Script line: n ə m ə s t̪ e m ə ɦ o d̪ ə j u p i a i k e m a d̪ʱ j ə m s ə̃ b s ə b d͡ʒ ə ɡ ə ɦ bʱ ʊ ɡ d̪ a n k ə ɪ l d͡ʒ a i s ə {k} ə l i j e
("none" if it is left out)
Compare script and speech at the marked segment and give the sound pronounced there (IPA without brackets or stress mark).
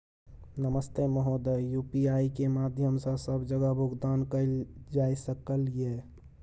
k